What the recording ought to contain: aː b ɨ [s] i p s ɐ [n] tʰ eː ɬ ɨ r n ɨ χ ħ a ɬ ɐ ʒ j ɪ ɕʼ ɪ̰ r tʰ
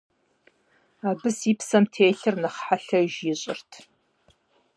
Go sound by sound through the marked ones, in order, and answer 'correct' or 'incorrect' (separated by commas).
correct, incorrect